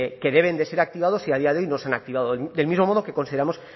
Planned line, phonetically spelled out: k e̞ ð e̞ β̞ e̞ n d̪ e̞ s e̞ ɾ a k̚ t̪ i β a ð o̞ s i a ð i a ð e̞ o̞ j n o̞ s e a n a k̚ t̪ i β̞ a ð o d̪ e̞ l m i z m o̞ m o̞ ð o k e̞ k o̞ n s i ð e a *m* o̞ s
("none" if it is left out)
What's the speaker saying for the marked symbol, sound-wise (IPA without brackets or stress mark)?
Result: m